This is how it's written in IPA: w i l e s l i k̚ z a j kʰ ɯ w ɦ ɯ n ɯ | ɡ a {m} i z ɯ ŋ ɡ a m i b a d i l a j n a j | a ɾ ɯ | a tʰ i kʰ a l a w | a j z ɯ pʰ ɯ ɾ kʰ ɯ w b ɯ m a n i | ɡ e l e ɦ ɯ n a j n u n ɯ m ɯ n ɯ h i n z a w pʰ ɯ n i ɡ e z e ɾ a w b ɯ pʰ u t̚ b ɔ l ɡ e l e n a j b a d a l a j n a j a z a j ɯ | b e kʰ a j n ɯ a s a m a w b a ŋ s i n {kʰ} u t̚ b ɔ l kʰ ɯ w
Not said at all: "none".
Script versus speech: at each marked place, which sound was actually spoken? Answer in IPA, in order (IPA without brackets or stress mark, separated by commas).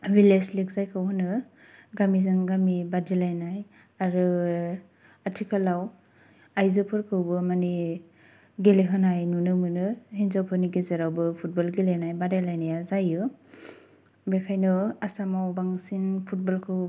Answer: m, pʰ